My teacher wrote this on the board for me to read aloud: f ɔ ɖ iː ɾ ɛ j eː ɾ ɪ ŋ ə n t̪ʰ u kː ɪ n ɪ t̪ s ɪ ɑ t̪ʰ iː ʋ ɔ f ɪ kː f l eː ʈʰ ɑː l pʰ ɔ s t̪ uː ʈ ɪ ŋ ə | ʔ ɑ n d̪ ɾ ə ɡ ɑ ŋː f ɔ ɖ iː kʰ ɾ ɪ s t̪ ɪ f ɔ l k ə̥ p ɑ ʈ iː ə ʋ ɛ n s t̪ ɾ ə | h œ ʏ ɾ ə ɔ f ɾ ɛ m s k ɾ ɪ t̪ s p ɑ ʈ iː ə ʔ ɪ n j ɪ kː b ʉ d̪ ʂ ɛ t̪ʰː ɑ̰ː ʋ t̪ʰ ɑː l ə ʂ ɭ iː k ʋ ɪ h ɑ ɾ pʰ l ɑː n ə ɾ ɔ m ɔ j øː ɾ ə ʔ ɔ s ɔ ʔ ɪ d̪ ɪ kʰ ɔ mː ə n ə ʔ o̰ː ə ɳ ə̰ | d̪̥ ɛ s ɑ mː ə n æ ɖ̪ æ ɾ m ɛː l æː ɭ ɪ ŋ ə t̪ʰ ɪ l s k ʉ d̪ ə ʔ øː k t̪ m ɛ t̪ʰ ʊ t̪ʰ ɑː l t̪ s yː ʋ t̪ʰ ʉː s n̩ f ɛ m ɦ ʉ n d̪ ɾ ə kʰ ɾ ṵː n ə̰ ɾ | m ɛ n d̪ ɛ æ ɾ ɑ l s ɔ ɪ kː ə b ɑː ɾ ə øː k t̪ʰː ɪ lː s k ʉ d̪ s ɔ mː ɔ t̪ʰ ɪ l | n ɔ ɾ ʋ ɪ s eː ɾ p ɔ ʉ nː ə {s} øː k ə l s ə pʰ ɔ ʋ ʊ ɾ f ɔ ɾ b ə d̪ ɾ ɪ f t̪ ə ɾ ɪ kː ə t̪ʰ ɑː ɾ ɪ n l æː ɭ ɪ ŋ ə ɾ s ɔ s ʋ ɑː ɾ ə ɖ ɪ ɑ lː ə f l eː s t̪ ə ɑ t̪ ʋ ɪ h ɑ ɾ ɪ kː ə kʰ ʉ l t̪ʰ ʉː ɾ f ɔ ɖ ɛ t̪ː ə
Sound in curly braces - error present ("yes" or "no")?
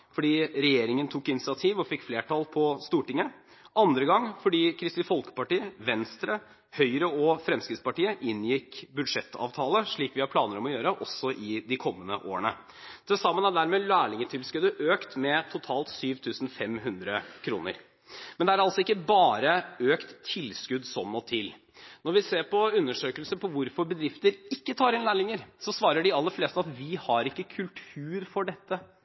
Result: yes